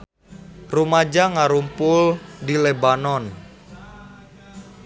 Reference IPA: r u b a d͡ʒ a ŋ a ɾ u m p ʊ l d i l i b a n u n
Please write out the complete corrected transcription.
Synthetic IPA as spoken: r u m a d͡ʒ a ŋ a ɾ u m p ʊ l d i l e b a n ɔ n